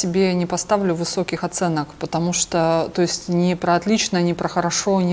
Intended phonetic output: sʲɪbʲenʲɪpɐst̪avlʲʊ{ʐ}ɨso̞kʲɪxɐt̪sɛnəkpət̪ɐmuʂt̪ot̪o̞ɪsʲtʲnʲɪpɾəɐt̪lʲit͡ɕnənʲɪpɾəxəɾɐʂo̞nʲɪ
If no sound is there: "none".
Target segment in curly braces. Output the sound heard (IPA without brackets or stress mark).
v